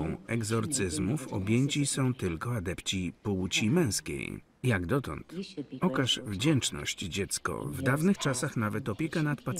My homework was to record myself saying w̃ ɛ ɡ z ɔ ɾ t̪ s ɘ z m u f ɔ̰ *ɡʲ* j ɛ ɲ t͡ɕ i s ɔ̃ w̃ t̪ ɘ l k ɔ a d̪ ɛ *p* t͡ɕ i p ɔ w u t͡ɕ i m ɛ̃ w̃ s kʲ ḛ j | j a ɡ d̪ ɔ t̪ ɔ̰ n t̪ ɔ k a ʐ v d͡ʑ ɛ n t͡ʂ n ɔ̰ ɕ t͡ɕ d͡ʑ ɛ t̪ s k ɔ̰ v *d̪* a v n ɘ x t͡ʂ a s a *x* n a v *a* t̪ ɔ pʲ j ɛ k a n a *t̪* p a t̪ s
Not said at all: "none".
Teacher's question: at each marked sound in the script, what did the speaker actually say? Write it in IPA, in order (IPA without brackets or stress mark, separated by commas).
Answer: bʲ, p, d̪, x, ɛ, t̪